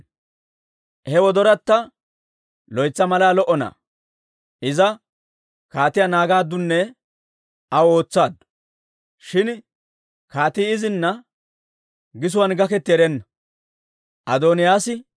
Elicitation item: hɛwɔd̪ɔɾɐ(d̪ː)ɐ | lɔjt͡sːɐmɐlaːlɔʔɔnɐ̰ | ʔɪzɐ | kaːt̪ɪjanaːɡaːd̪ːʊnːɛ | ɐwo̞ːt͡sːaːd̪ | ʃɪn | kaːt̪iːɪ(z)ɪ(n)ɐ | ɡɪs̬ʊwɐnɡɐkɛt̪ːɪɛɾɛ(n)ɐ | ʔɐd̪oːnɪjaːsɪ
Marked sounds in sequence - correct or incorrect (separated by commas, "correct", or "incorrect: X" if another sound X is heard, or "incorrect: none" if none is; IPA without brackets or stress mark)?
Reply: incorrect: t̪ː, correct, incorrect: nː, incorrect: nː